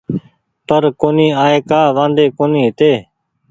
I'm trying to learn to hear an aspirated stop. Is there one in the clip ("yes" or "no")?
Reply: no